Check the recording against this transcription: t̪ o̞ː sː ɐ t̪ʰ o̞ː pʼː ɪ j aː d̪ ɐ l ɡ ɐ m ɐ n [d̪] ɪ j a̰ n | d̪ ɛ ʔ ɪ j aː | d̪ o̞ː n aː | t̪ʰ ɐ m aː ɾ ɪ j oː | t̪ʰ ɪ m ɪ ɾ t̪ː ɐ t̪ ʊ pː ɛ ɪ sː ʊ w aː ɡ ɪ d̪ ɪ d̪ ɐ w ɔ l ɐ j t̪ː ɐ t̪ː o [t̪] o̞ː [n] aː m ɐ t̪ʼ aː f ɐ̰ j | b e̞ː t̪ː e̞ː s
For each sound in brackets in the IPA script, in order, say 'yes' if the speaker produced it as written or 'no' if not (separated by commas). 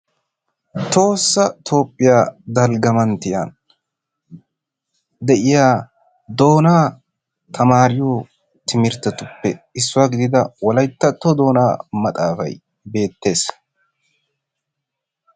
no, no, yes